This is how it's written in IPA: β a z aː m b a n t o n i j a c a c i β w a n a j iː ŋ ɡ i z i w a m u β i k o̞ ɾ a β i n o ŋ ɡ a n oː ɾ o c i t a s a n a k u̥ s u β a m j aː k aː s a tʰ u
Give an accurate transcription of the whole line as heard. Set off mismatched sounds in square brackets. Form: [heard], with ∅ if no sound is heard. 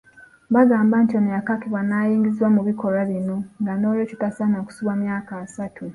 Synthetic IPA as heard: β a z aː m b a n t o n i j a [k] a [k] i β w a n a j iː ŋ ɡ i z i w a m u β i k o̞ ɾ a β i n o ŋ ɡ a n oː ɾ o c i t a s a n a k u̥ s u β a m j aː k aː s a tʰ u